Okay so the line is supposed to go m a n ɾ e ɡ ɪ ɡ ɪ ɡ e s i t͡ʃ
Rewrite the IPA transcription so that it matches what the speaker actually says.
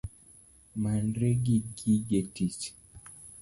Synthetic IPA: m a n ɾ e ɡ i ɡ i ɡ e t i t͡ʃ